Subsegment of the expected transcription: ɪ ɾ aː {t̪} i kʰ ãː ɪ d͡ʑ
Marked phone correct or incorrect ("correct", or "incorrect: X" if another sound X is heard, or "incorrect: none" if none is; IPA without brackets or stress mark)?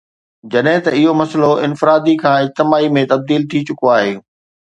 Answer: incorrect: d̪